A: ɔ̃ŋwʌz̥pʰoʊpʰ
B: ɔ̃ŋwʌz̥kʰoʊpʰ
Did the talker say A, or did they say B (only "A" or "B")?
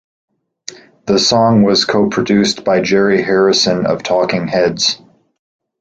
B